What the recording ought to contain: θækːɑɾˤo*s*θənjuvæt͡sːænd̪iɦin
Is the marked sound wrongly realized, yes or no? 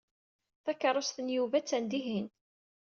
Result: no